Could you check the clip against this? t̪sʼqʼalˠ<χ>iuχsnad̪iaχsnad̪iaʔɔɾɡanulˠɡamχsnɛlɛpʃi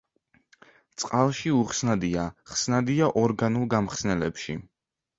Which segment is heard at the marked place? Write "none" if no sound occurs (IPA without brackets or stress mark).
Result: ʃ